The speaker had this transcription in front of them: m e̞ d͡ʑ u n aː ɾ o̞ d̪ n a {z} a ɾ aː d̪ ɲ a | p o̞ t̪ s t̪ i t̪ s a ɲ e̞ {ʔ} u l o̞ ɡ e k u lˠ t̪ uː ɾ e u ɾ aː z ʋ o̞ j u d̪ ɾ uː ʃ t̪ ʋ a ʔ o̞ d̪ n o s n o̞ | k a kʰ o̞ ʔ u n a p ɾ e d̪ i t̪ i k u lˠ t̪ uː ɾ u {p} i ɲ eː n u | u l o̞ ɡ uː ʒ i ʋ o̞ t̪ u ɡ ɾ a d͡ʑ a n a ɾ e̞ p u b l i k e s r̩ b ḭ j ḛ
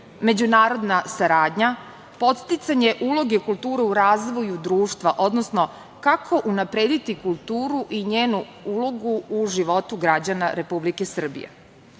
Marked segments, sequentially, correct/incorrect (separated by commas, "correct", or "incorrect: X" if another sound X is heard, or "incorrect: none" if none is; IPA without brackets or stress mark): incorrect: s, correct, incorrect: ʔ